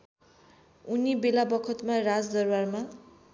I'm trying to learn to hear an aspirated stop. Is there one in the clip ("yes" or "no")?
yes